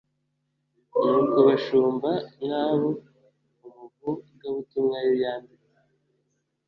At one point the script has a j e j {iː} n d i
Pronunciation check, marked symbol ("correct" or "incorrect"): incorrect